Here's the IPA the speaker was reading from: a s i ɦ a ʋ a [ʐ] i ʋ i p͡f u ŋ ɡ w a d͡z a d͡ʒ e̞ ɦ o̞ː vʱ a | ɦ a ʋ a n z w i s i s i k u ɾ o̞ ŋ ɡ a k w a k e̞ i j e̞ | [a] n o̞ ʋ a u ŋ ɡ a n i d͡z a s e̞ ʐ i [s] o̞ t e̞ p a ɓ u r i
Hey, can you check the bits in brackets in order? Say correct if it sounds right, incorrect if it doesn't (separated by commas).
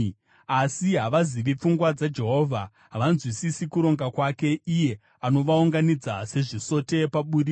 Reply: incorrect, correct, correct